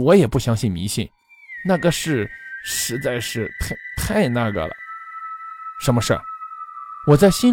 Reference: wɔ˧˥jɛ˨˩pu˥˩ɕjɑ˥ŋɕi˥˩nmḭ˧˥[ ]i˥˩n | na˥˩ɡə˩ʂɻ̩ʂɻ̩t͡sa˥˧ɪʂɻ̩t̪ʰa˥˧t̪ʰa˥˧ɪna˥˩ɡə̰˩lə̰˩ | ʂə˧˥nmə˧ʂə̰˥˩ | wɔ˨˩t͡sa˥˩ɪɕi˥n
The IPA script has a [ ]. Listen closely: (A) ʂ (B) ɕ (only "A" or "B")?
B